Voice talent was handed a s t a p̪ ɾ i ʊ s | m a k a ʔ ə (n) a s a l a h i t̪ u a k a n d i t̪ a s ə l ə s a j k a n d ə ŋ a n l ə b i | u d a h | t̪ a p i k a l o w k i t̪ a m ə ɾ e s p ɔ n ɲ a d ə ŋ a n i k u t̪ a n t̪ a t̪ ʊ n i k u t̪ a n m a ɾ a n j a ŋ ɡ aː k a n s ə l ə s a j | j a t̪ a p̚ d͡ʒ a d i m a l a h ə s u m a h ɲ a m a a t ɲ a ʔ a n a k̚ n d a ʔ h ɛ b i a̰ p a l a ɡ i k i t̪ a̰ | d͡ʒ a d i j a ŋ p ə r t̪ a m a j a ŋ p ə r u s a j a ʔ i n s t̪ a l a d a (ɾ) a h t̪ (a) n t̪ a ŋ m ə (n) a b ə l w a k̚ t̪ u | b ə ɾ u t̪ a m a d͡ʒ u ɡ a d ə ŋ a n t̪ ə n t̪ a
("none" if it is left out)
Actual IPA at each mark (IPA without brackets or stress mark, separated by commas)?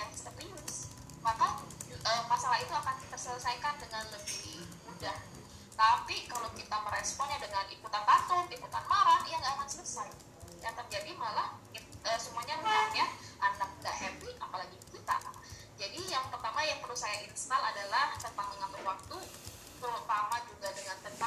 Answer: m, l, ə, ŋ